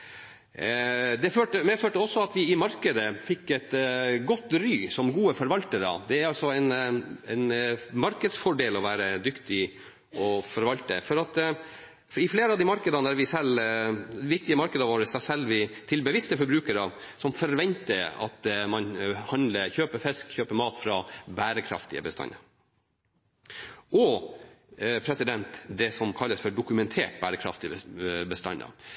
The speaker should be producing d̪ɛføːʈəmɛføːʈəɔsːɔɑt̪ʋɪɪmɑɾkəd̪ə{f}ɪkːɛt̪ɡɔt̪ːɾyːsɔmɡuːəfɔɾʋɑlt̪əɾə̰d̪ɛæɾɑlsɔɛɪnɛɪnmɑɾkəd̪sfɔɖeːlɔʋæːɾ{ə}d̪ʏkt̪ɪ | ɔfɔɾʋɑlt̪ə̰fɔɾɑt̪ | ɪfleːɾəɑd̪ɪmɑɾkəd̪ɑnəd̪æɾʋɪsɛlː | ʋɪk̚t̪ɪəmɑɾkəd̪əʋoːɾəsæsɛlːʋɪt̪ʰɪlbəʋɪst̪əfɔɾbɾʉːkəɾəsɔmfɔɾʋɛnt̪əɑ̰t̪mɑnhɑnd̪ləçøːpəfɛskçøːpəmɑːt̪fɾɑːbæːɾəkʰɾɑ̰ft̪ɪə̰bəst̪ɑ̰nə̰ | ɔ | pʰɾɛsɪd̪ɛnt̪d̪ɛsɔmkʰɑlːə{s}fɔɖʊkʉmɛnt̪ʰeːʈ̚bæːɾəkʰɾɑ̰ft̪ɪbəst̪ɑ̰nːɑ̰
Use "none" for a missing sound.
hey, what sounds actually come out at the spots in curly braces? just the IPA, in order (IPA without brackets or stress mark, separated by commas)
f, ə, s